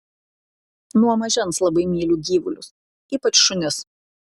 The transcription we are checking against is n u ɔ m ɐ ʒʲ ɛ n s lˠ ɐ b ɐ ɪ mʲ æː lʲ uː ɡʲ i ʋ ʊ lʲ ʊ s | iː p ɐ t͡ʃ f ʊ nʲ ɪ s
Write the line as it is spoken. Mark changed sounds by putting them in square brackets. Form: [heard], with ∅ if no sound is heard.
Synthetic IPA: n u ɔ m ɐ ʒʲ ɛ n s lˠ ɐ b ɐ ɪ mʲ [iː] lʲ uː ɡʲ [iː] ʋ ʊ lʲ ʊ s | iː p ɐ t͡ʃ [ʃ] ʊ nʲ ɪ s